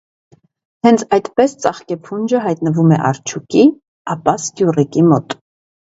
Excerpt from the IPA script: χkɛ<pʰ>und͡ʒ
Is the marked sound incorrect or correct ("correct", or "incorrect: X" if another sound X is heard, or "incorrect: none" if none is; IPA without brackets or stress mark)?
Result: correct